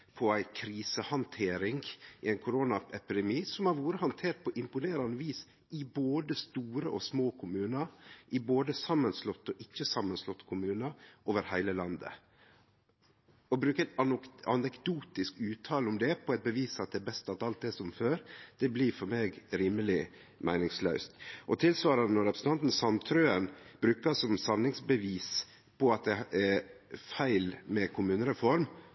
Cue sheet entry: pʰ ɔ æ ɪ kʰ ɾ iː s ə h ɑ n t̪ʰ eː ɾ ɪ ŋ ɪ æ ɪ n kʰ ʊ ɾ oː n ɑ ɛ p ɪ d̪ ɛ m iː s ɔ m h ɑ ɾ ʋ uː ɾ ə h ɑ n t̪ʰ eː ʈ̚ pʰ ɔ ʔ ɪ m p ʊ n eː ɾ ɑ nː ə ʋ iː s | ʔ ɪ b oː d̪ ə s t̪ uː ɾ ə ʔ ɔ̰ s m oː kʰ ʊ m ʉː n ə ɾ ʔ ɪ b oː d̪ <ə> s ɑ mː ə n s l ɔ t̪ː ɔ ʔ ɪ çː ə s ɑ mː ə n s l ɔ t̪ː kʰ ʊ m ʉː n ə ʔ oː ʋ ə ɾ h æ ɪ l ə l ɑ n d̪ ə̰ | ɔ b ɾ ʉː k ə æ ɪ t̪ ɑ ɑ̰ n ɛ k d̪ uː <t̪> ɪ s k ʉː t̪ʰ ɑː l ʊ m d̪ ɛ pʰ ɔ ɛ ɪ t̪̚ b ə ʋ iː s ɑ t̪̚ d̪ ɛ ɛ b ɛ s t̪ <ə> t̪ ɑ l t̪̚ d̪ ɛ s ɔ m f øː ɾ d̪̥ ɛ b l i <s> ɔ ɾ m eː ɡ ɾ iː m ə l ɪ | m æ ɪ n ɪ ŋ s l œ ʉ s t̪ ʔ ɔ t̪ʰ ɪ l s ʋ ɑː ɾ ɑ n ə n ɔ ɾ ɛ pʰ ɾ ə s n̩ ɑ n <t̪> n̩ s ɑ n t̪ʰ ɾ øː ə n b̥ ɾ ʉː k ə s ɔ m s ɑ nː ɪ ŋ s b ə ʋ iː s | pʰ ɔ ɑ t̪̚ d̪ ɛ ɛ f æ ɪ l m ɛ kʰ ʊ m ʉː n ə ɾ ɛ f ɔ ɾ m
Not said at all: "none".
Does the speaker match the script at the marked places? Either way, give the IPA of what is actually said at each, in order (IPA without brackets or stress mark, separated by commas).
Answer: ə, t̪, ɑ, f, t̪